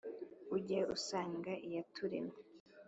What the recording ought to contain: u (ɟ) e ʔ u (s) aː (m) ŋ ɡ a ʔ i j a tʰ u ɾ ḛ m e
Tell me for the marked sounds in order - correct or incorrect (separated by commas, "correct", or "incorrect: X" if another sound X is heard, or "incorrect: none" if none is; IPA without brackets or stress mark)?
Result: correct, correct, incorrect: none